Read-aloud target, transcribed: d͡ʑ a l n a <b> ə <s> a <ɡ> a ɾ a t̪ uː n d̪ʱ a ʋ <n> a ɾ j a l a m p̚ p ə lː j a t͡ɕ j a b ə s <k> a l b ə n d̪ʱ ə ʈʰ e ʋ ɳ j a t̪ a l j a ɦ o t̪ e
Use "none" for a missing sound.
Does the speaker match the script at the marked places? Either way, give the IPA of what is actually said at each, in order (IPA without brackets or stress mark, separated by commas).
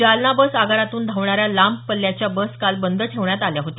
b, s, ɡ, ɳ, k